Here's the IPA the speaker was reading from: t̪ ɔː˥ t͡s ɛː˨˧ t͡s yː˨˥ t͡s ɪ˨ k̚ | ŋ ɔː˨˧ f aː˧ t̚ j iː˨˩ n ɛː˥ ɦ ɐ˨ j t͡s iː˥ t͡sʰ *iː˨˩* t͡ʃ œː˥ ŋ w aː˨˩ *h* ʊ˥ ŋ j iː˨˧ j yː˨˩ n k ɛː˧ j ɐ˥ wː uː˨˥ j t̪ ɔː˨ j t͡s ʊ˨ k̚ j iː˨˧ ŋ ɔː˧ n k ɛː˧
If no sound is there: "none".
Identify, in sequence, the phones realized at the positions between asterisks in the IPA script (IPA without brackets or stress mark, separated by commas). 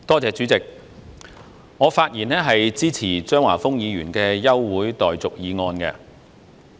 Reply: iː˨˩, f